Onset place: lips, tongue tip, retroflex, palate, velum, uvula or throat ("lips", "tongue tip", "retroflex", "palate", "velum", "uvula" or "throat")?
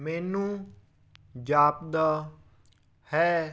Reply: lips